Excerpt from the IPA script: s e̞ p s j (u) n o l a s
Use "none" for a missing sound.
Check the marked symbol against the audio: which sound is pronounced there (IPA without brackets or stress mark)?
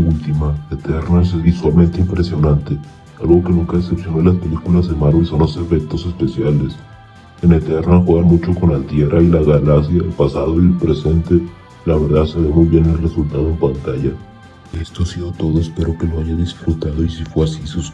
o